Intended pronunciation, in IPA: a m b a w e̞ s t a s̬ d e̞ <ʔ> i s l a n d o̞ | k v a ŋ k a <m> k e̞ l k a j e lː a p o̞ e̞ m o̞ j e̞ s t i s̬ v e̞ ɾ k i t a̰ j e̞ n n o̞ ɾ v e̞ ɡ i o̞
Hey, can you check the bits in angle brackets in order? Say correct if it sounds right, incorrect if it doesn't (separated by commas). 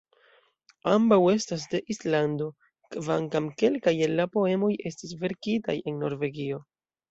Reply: correct, correct